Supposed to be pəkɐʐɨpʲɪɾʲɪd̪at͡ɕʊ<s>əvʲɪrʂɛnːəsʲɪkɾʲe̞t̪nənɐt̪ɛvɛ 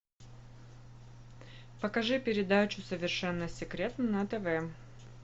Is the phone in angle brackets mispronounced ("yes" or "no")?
no